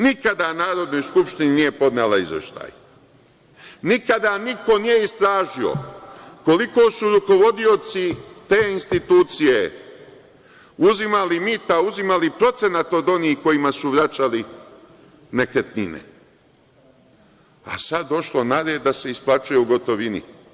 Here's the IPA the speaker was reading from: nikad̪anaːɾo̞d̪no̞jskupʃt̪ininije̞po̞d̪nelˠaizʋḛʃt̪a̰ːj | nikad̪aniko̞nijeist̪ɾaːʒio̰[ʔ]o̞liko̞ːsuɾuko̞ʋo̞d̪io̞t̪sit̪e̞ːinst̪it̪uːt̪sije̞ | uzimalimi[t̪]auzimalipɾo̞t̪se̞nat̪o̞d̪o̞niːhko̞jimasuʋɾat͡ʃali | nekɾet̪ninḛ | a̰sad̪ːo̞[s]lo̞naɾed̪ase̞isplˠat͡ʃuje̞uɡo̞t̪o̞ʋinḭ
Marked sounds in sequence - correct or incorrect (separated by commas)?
incorrect, correct, incorrect